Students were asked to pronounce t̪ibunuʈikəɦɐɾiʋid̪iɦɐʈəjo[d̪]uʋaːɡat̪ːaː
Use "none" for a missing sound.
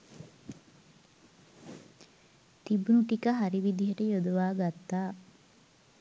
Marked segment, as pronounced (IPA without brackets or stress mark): d̪